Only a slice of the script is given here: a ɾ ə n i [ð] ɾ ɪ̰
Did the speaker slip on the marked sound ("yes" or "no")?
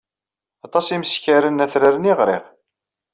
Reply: yes